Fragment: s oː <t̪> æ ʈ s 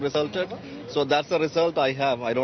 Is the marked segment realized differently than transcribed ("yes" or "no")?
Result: yes